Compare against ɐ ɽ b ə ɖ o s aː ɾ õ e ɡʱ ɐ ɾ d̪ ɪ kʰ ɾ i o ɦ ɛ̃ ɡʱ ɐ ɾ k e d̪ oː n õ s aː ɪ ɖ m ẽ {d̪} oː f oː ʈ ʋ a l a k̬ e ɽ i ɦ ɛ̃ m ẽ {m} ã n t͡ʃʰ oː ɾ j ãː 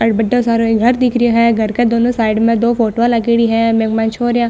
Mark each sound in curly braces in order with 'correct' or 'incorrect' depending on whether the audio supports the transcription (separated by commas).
correct, correct